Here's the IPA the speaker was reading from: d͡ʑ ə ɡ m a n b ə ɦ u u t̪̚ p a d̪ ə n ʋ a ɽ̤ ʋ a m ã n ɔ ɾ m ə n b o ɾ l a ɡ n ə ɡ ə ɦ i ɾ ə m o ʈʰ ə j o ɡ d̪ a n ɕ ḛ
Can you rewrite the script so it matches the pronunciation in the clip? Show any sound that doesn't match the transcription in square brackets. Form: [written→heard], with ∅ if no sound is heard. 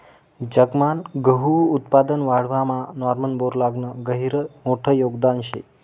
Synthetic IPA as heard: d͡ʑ ə ɡ m a n [b→ɡ] ə ɦ u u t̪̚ p a d̪ ə n ʋ a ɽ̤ ʋ a m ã n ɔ ɾ m ə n b o ɾ l a ɡ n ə ɡ ə ɦ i ɾ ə m o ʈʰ ə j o ɡ d̪ a n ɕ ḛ